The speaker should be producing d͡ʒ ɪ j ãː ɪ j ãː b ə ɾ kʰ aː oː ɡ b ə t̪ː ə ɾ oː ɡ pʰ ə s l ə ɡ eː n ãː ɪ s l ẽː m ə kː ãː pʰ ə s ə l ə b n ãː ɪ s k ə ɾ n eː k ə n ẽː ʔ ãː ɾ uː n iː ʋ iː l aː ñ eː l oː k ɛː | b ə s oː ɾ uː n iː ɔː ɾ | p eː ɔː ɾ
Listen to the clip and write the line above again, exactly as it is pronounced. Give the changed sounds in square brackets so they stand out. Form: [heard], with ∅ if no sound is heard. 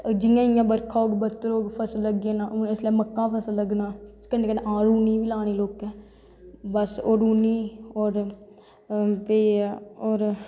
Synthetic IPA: d͡ʒ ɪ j ãː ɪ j ãː b ə ɾ kʰ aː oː ɡ b ə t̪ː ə ɾ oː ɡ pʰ ə s l ə ɡ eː n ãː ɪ s l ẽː m ə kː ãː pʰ ə s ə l ə [ɡ] n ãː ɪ s k ə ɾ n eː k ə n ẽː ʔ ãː ɾ uː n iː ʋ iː l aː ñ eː l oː k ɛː | b ə s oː ɾ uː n iː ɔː ɾ | p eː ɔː ɾ